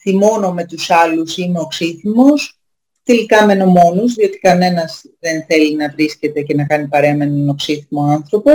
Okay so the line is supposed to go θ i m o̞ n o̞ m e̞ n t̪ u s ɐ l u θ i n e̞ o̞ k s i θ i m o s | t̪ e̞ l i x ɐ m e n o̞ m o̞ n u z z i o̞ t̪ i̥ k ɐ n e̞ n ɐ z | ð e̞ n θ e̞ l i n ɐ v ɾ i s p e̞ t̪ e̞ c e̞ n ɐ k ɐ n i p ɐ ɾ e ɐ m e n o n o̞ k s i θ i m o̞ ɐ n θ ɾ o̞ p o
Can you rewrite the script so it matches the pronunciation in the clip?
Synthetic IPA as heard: θ i m o̞ n o̞ m e̞ t̪ u s ɐ l u s i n e̞ o̞ k s i θ i m o s | t̪ e̞ l i k ɐ m e n o̞ m o̞ n u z ð i o̞ t̪ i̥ k ɐ n e̞ n ɐ z | ð e̞ n θ e̞ l i n ɐ v ɾ i s c e̞ t̪ e̞ c e̞ n ɐ k ɐ n i p ɐ ɾ e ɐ m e n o n o̞ k s i θ i m o̞ ɐ n θ ɾ o̞ p o